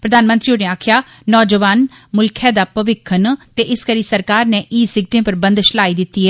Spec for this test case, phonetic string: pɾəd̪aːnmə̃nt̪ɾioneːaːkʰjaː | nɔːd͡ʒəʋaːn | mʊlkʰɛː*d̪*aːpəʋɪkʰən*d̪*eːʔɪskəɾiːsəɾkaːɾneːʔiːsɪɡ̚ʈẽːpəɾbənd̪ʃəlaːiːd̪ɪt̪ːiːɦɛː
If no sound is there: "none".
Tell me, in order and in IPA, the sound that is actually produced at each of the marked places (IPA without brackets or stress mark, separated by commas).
d̪, t̪